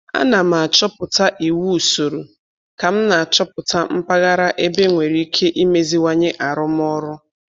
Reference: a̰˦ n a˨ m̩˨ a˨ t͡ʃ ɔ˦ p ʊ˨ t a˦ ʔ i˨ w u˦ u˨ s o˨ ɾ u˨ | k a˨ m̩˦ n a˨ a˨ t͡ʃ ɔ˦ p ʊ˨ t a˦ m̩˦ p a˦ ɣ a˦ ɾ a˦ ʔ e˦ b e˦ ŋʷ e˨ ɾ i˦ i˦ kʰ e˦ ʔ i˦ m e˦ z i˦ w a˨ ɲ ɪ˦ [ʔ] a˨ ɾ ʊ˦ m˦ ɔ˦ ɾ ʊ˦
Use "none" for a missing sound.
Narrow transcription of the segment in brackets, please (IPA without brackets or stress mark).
ʔ